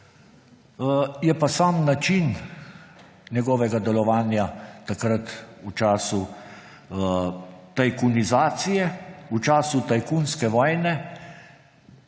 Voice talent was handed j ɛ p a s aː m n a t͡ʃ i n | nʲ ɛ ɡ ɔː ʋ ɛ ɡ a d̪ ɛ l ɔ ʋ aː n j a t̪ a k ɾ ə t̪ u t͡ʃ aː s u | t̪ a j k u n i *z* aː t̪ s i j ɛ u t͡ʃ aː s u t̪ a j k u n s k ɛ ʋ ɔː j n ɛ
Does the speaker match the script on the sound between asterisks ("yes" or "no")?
yes